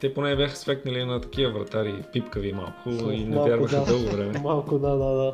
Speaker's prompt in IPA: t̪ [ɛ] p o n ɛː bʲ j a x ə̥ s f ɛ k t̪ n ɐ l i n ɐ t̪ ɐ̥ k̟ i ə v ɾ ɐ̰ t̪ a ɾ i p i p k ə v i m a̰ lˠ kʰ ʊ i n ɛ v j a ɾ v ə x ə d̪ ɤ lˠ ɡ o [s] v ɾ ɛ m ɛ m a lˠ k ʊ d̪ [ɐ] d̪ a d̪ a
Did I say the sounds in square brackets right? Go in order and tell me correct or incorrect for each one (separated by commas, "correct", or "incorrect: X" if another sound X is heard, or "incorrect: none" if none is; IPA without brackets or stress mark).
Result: correct, incorrect: none, incorrect: a